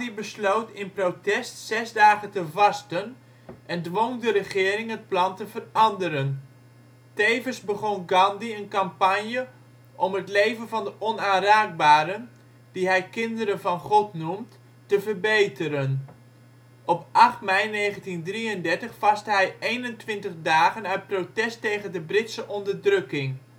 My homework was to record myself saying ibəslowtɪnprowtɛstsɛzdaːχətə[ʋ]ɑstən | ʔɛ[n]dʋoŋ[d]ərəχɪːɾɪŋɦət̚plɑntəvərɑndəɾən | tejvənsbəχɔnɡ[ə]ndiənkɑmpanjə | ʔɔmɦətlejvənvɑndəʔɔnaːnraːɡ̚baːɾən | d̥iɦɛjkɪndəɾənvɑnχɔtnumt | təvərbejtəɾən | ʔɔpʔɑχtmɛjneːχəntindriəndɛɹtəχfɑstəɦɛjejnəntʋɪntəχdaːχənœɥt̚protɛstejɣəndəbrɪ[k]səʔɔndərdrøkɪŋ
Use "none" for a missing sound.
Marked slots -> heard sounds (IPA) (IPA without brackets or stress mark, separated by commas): v, n, d, ɑ, t